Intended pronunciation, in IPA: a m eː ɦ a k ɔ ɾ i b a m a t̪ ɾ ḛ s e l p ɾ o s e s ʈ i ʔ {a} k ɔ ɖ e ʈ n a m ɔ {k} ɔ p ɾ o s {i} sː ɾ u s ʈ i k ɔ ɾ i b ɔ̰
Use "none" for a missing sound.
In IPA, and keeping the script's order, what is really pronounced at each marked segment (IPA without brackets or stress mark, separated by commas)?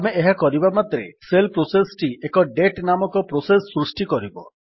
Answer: e, k, e